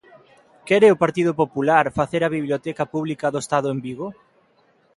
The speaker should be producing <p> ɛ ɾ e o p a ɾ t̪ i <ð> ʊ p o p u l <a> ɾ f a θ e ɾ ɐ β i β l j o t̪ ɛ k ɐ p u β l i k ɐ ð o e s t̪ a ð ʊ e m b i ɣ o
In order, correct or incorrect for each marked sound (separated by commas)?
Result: incorrect, correct, correct